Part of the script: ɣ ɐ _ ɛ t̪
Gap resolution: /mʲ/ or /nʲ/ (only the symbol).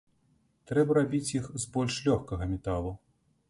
mʲ